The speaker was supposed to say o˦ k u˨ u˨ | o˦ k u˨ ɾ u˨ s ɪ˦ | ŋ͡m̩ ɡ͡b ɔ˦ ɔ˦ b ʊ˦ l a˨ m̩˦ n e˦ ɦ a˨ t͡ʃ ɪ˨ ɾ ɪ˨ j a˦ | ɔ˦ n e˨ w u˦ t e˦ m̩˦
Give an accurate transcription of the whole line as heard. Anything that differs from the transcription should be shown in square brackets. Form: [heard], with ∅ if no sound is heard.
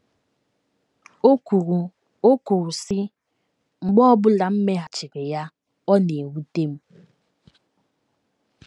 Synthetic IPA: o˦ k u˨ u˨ | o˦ k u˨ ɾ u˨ s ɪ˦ | ŋ͡m̩ ɡ͡b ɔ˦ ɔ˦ b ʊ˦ l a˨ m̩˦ [m] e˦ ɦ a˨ t͡ʃ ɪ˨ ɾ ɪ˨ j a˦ | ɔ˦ n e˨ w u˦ t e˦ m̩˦